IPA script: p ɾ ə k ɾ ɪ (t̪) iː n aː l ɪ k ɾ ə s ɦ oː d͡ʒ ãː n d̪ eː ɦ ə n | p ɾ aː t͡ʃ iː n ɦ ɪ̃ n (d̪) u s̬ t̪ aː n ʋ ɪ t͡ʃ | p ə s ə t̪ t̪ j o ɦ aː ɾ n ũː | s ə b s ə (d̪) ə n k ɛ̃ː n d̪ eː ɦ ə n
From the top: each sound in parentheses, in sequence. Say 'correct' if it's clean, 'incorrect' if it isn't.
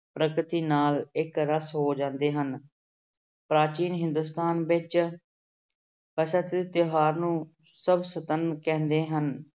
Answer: correct, correct, incorrect

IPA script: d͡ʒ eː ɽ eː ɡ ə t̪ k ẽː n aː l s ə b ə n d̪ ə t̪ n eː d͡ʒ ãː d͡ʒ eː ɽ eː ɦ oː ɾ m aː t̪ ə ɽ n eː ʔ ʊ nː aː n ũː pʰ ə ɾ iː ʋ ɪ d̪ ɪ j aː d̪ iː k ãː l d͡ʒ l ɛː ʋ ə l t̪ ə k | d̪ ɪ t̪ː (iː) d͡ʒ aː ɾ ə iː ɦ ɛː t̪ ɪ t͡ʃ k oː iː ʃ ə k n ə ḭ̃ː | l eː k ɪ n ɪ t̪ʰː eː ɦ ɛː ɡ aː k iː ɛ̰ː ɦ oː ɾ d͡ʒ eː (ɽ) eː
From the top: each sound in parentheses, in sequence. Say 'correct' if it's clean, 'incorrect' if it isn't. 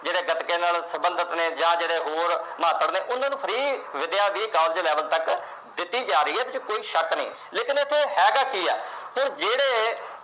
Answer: correct, correct

